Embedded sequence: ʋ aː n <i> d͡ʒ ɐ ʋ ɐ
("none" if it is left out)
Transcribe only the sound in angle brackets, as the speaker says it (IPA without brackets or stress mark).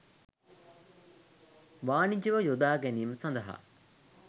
i